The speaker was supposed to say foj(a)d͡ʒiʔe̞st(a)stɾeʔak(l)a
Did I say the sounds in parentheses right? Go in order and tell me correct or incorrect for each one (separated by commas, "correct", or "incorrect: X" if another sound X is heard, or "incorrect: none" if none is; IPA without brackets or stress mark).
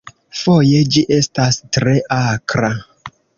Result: incorrect: e, correct, incorrect: ɾ